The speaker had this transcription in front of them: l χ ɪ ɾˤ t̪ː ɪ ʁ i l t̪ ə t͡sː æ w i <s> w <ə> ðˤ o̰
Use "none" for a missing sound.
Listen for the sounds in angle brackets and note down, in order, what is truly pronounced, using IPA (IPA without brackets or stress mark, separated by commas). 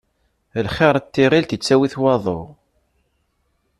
θ, ɑ